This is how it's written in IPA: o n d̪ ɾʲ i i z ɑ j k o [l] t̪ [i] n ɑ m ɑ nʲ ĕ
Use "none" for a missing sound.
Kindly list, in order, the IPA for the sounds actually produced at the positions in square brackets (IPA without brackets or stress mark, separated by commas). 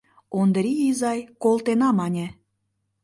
l, e